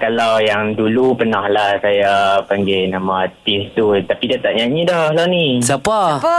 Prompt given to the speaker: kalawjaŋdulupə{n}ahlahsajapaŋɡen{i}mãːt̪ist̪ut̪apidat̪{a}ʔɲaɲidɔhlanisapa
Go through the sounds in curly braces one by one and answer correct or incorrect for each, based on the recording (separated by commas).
correct, incorrect, correct